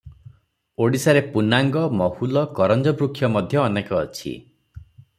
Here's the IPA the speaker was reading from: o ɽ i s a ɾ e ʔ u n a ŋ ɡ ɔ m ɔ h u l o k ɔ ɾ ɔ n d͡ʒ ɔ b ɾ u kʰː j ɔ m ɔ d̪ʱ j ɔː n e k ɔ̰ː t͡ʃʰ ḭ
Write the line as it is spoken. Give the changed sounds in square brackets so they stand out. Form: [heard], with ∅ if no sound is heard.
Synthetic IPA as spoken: o ɽ i s a ɾ e [p] u n a ŋ ɡ ɔ m ɔ h u l [ɔ] k ɔ ɾ ɔ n d͡ʒ ɔ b ɾ u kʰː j ɔ m ɔ d̪ʱ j ɔː n e k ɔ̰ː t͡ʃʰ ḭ